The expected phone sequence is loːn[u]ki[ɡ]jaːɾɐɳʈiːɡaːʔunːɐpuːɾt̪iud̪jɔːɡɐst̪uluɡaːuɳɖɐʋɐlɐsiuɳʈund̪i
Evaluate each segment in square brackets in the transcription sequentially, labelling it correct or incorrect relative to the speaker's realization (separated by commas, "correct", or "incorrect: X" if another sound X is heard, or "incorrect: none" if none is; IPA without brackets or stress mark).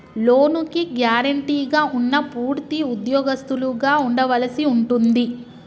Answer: correct, correct